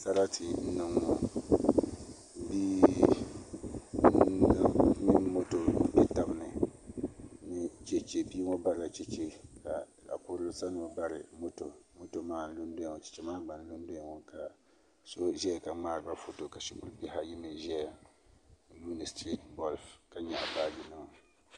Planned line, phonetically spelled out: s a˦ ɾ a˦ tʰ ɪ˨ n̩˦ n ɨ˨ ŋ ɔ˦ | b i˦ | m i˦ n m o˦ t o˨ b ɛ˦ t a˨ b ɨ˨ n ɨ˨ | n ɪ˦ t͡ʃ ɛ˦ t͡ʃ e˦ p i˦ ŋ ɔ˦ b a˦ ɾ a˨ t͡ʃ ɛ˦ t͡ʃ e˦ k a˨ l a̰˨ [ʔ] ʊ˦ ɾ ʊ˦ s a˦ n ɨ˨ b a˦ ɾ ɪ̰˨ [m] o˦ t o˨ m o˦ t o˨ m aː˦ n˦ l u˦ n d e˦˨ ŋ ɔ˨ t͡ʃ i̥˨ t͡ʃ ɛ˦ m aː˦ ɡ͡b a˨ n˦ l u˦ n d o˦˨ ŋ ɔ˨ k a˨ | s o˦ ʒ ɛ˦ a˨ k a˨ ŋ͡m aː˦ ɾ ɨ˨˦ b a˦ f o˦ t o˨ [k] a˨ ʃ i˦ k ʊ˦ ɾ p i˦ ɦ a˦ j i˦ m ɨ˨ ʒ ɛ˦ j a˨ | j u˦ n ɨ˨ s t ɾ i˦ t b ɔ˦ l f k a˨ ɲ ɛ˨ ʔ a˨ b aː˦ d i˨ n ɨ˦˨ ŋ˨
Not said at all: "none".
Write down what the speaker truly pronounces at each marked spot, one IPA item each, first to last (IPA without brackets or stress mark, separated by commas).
k, m, k